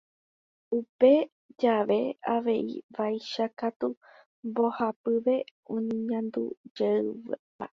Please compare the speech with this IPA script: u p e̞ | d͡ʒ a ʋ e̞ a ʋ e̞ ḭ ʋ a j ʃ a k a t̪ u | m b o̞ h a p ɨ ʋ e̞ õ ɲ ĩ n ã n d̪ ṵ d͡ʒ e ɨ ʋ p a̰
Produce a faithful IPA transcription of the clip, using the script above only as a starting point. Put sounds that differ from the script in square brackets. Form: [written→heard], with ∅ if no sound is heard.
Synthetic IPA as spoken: u p e̞ | d͡ʒ a ʋ e̞ a ʋ e̞ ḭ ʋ a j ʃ a k a t̪ u | m b o̞ h a p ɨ ʋ e̞ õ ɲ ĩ [n→ɲ] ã n d̪ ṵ d͡ʒ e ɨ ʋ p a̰